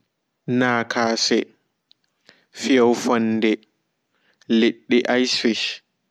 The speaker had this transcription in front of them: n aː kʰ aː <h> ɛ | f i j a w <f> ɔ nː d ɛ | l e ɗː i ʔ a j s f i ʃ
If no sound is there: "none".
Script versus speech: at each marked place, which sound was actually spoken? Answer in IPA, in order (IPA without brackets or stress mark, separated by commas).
s, f